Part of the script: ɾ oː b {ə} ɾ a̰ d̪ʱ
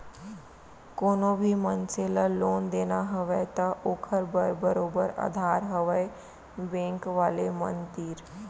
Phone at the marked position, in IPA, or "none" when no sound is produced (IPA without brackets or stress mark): ə